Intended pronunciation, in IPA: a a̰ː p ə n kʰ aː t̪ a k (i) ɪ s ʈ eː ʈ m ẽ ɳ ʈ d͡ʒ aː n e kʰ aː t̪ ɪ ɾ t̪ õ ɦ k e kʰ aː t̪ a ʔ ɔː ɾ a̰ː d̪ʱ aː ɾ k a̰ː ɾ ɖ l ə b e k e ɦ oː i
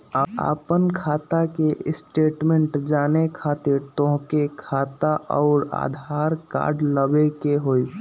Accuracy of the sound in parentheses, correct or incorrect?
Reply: incorrect